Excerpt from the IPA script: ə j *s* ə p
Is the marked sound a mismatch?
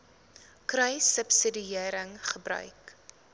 no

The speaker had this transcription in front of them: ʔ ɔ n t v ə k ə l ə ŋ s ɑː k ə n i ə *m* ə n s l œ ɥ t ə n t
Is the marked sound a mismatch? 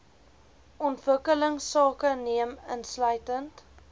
no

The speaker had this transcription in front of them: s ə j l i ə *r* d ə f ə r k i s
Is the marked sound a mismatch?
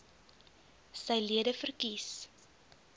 yes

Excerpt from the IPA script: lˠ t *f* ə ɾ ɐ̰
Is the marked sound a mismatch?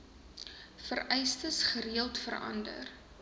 no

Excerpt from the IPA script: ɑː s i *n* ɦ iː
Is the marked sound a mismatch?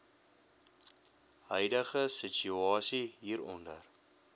yes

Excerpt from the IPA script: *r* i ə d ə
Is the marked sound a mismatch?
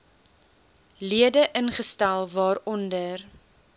yes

